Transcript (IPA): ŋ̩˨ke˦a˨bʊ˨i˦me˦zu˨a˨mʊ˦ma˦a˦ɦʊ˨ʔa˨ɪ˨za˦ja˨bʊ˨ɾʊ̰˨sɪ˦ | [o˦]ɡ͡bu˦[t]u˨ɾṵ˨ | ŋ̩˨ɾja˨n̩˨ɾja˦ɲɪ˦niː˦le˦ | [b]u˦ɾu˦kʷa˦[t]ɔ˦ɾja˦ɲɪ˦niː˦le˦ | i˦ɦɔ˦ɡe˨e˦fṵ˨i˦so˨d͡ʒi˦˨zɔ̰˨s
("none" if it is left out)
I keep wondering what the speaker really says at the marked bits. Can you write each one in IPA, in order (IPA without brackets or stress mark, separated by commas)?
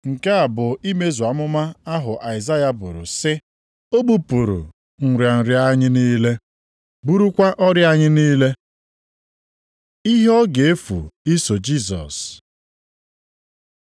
o˦, p, b, ʔ